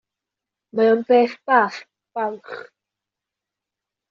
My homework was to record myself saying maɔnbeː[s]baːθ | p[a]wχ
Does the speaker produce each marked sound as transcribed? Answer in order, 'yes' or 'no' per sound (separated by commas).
no, yes